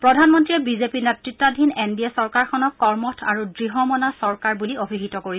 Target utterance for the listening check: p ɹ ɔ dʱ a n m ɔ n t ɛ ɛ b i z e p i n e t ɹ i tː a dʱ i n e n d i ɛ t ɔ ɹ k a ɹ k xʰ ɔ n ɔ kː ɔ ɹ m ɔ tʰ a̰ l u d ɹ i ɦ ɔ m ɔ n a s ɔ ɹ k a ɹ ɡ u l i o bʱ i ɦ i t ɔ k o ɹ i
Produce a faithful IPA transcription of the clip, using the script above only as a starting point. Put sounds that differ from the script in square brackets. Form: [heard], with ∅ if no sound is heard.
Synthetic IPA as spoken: p ɹ ɔ dʱ a n m ɔ n t [i] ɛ b i z e p i n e t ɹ i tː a dʱ i n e n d i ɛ [s] ɔ ɹ k a ɹ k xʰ ɔ n ɔ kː ɔ ɹ m ɔ tʰ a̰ [ɹ] u d ɹ i ɦ ɔ m ɔ n a s ɔ ɹ k a ɹ [b] u l i o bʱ i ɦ i t ɔ k o ɹ i